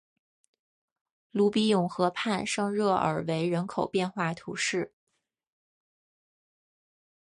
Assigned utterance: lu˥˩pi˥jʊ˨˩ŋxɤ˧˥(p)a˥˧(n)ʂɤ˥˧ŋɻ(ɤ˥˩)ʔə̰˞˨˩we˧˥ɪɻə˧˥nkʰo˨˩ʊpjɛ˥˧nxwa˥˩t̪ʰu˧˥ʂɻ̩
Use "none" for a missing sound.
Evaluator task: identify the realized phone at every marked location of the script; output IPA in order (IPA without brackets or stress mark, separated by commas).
pʰ, n, ɤ˥˩